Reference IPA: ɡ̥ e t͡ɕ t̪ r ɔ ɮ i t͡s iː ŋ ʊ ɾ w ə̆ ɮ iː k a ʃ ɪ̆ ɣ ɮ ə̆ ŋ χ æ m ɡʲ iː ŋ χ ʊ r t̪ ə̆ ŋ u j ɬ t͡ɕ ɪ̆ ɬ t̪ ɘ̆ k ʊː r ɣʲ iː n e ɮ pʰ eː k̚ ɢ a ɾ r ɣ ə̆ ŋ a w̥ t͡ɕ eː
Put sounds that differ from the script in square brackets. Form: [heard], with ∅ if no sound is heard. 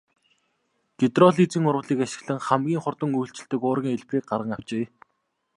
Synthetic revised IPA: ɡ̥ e [∅] t̪ r ɔ ɮ i t͡s iː ŋ ʊ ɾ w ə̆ ɮ iː k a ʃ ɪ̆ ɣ ɮ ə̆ ŋ χ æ m ɡʲ iː ŋ χ ʊ r t̪ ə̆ ŋ u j ɬ t͡ɕ ɪ̆ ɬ t̪ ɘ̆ k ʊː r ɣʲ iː [ŋ] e ɮ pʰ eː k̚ ɢ a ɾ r [ʁ] ə̆ ŋ a w̥ t͡ɕ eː